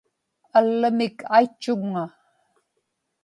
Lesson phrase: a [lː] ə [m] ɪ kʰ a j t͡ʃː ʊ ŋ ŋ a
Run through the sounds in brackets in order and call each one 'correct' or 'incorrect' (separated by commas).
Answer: correct, correct